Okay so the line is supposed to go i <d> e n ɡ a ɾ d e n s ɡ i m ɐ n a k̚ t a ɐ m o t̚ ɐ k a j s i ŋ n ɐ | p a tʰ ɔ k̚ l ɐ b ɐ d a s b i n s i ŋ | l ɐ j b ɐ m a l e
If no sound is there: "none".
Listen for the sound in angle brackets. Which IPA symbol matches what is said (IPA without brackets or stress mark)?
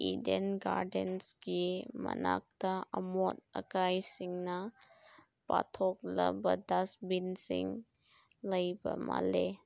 d